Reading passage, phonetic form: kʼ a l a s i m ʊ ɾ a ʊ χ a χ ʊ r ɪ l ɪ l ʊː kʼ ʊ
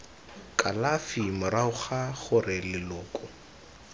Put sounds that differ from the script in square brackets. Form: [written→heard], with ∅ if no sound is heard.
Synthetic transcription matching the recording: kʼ a l a [s→f] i m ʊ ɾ a ʊ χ a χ ʊ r ɪ l ɪ l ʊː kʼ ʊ